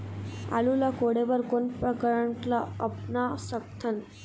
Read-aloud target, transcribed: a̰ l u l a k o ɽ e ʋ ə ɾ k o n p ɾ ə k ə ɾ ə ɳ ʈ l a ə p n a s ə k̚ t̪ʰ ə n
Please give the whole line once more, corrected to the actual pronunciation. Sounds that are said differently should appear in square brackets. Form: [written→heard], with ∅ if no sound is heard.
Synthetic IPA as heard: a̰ l u l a k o ɽ e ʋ ə ɾ k o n p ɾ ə k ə ɾ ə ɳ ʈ l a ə p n a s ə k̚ t̪ʰ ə n